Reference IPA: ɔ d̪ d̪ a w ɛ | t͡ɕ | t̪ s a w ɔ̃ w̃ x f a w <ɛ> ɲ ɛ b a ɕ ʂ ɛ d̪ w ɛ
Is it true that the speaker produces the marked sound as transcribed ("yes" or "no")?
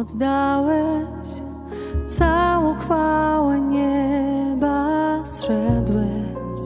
yes